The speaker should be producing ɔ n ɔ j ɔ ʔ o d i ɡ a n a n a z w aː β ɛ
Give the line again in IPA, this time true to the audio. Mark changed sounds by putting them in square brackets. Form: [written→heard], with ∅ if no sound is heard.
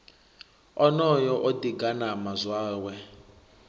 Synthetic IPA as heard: ɔ n ɔ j ɔ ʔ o d i ɡ a n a [n→m] a z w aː [β→w] ɛ